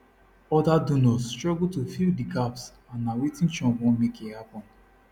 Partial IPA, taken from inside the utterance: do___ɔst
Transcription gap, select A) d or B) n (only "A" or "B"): B